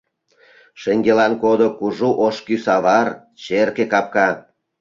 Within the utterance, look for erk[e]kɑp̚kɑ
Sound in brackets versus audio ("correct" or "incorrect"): correct